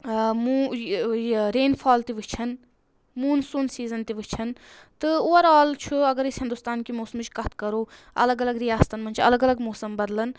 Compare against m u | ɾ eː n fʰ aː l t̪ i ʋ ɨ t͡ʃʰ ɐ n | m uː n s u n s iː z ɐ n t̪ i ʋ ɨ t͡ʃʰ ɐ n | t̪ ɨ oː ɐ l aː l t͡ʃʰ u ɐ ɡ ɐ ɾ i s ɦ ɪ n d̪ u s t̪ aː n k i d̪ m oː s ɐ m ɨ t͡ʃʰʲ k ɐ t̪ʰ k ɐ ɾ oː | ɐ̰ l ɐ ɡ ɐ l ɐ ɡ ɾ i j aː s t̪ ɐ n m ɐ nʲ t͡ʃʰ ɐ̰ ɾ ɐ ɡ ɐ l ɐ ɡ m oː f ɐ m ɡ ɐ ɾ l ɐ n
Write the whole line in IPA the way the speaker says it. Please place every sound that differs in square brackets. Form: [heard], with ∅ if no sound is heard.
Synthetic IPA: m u | ɾ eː n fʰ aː l t̪ i ʋ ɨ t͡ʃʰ ɐ n | m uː n s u n s iː z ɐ n t̪ i ʋ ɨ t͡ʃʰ ɐ n | t̪ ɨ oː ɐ [ɾ] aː l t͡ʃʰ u ɐ ɡ ɐ ɾ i s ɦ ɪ n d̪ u s t̪ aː n k i [∅] m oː s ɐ m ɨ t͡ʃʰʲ k ɐ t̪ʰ k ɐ ɾ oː | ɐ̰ l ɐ ɡ ɐ l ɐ ɡ ɾ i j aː s t̪ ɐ n m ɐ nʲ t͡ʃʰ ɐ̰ [l] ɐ ɡ ɐ l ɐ ɡ m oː [s] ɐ m [b] ɐ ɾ l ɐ n

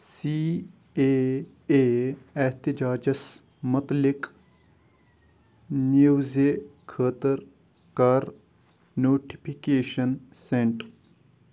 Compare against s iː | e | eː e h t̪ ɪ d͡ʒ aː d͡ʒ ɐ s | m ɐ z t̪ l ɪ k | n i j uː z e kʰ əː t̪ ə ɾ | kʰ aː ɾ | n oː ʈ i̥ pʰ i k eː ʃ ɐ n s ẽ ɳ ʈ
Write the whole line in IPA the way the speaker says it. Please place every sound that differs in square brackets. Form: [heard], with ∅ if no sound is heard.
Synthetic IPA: s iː | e | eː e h t̪ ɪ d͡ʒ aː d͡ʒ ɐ s | m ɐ [∅] t̪ l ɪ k | n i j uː z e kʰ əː t̪ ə ɾ | [k] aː ɾ | n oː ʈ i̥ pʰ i k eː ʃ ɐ n s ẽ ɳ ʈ

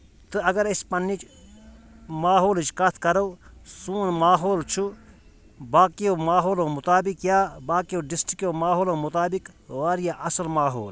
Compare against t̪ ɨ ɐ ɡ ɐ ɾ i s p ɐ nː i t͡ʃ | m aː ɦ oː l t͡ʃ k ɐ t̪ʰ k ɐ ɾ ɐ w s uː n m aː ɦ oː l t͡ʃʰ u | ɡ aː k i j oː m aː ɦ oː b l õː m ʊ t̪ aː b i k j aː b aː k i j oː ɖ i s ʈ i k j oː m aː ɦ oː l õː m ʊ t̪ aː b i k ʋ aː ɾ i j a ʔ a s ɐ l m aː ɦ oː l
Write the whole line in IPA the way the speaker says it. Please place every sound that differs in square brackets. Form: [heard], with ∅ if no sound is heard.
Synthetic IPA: t̪ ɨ ɐ ɡ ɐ ɾ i s p ɐ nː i t͡ʃ | m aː ɦ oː l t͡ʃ k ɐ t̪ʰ k ɐ ɾ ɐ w s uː n m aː ɦ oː l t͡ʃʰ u | [b] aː k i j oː m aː ɦ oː [∅] l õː m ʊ t̪ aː b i k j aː b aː k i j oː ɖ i s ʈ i k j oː m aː ɦ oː l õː m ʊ t̪ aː b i k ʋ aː ɾ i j a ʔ [ɐ] s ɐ l m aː ɦ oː l

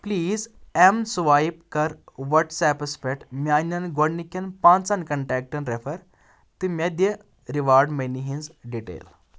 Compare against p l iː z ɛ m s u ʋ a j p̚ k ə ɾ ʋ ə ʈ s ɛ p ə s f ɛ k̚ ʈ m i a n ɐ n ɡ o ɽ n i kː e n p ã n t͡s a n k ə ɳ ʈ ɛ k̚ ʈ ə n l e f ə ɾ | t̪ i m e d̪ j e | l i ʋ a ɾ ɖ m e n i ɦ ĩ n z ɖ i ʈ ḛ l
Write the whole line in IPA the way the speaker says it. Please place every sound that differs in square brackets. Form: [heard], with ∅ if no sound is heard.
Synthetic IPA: p l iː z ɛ m s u ʋ a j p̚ k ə ɾ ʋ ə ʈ s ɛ p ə s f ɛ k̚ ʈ m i a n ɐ n ɡ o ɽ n i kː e n p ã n t͡s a n k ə ɳ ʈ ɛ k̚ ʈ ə n [ɾ] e f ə ɾ | t̪ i m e d̪ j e | [ɾ] i ʋ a ɾ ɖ m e n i ɦ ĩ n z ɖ i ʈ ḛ l

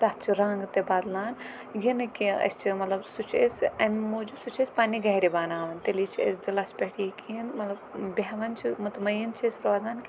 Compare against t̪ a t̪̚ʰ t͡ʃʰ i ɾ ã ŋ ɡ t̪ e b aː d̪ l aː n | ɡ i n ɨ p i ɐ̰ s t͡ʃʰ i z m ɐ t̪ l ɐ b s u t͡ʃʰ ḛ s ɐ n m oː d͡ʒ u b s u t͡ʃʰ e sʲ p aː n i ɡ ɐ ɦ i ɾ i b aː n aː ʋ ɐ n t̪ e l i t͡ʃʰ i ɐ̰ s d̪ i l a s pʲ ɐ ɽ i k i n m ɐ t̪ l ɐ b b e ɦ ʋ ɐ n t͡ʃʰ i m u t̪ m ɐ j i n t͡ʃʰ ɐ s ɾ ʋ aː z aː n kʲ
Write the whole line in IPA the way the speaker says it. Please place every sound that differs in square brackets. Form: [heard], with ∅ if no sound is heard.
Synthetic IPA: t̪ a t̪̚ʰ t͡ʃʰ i ɾ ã ŋ ɡ t̪ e b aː d̪ l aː n | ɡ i n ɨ [k] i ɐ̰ s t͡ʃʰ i [∅] m ɐ t̪ l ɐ b s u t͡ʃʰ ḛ s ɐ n m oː d͡ʒ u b s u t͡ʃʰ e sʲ p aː n i ɡ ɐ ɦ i ɾ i b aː n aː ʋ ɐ n t̪ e l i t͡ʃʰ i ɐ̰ s d̪ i l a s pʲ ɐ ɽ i k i n m ɐ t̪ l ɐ b b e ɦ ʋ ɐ n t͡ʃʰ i m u t̪ m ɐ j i n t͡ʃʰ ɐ s ɾ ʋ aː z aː n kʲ

